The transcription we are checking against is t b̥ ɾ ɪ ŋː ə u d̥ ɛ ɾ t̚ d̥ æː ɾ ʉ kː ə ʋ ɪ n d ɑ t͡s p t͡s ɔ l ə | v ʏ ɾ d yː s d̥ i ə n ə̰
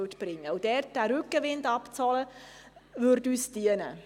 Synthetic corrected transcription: t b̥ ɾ ɪ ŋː ə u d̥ ɛ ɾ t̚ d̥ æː ɾ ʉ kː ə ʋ ɪ n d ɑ p t͡s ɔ l ə | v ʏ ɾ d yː s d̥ i ə n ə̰

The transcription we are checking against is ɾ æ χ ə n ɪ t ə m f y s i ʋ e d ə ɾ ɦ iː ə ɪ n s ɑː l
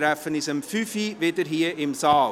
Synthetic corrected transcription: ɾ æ f ə n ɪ s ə m f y f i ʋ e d ə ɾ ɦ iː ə ɪ m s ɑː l

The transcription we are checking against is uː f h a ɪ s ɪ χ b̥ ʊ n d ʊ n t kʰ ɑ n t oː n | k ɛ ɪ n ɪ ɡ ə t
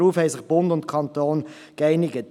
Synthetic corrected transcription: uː f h ɛ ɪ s ɪ χ b̥ ʊ n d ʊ n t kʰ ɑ n t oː n | k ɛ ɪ n ɪ ɡ ə t

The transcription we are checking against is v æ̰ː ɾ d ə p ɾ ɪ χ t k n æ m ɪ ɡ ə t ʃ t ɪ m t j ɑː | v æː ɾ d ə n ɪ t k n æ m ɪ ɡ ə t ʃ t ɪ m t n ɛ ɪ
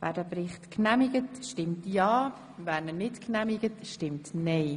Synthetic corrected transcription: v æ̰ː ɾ d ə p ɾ ɪ χ t k n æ m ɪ ɡ ə t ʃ t ɪ m t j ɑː | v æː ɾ n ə n ɪ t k n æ m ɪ ɡ ə t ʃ t ɪ m t n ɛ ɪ

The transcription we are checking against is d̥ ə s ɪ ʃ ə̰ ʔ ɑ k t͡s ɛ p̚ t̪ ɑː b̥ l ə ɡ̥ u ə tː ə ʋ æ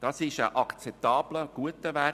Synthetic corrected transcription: d̥ ɑ s ɪ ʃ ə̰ ʔ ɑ k t͡s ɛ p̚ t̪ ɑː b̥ l ə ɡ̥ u ə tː ə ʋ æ

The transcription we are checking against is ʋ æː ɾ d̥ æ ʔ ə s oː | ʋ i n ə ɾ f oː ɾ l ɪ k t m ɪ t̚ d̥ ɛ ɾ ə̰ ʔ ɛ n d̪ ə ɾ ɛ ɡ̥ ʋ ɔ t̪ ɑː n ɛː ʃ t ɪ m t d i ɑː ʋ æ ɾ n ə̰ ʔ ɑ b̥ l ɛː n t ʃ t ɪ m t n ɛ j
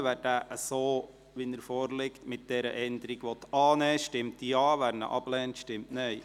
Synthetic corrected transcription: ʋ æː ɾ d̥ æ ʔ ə s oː | ʋ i n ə ɾ f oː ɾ l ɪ k t m ɪ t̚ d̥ ɛ ɾ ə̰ ʔ ɛ n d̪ ə ɾ i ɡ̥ ʋ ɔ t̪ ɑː n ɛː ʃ t ɪ m t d i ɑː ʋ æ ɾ n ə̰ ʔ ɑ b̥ l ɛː n t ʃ t ɪ m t n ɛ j

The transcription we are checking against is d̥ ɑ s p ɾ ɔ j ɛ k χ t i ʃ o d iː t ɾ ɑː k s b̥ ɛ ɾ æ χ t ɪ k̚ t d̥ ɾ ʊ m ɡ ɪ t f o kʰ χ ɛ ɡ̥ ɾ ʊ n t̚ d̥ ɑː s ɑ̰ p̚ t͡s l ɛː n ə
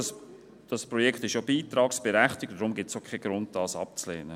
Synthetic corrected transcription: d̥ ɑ s p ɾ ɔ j ɛ k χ t ɪ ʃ o b iː t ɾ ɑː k s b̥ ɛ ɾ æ χ t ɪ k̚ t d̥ ɾ ʊ m ɡ ɪ t s o kʰ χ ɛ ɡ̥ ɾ ʊ n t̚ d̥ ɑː s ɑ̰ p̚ t͡s l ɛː n ə

